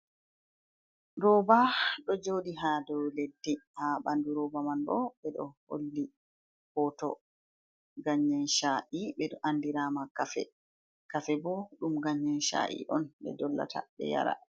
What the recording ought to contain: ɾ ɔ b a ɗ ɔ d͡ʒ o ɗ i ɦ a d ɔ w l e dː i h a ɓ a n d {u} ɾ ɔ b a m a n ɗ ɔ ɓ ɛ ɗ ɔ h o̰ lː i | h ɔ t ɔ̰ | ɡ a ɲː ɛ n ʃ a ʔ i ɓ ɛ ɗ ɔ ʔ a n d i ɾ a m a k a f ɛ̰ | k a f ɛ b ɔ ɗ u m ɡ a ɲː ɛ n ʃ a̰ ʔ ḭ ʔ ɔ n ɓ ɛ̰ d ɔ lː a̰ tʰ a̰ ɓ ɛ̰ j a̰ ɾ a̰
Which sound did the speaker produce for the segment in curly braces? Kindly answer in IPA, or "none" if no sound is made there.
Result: u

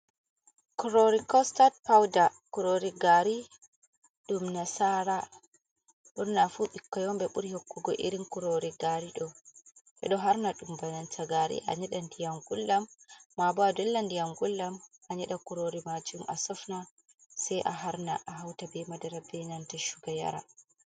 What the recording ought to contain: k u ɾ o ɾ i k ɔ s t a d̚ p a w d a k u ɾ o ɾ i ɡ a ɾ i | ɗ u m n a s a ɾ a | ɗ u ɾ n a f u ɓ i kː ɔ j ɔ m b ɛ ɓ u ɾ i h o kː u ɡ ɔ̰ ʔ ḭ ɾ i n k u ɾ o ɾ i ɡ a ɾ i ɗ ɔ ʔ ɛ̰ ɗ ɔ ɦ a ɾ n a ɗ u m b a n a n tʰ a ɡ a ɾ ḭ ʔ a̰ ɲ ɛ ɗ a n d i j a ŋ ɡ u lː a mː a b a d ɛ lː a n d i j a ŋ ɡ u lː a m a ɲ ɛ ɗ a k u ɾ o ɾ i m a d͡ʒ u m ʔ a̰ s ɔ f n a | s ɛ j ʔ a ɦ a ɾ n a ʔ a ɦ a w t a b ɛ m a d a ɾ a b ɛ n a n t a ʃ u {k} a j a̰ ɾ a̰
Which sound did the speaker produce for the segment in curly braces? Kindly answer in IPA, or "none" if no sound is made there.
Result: ɡ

